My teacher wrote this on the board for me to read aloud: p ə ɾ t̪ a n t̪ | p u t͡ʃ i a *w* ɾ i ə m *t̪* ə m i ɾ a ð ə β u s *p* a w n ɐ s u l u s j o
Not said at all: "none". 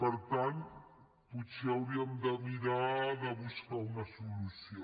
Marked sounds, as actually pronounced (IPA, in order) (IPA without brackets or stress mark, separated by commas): w, d̪, k